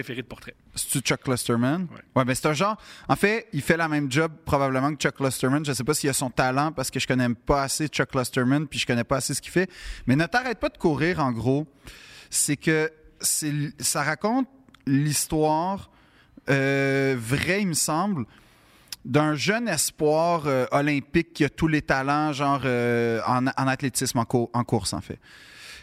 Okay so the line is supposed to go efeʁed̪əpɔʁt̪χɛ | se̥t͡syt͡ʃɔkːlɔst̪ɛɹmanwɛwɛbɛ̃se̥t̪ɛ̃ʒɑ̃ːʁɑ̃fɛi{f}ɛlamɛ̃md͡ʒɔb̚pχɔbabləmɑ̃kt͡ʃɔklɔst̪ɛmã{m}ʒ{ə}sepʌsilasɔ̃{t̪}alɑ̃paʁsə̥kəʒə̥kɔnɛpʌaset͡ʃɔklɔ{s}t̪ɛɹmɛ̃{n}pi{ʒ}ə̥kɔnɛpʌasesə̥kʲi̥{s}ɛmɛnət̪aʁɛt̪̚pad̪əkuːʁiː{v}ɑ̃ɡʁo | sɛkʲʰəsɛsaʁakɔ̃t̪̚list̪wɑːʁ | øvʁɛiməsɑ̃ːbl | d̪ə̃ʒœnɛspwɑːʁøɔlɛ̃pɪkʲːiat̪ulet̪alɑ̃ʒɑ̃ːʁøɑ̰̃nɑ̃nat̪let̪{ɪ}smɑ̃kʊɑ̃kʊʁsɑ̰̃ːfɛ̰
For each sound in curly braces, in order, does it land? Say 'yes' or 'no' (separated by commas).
yes, no, yes, yes, yes, yes, yes, no, no, yes